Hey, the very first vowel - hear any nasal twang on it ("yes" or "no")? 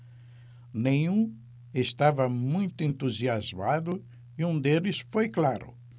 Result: yes